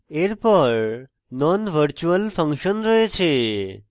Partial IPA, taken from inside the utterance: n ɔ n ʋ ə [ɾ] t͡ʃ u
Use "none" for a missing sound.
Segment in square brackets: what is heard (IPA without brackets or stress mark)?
ɾ